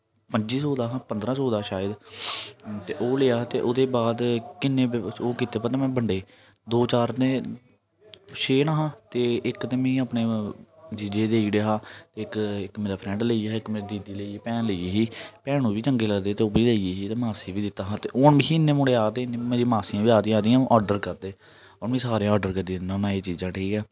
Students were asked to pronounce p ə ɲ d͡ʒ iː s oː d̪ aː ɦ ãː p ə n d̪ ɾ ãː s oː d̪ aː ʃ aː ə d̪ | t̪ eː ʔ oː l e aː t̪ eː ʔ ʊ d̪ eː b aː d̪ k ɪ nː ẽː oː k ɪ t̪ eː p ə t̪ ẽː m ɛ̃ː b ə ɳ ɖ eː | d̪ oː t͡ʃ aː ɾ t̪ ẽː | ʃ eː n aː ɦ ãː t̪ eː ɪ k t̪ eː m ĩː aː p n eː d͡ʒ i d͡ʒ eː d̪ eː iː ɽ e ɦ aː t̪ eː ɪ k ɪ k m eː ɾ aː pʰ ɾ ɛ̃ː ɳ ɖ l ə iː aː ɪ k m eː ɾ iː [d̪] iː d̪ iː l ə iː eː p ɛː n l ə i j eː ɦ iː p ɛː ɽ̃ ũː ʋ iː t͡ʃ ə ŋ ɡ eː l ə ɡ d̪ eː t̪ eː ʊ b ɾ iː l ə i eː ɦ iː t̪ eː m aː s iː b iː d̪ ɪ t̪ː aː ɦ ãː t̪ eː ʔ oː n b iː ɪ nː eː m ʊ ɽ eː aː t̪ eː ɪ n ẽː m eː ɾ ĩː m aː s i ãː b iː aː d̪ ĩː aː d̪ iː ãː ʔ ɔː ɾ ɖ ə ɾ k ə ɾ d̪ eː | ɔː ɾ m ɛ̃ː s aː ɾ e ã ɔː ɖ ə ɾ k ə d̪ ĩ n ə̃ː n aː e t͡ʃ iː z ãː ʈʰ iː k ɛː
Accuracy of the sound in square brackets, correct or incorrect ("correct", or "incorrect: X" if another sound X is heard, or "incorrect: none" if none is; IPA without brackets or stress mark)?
correct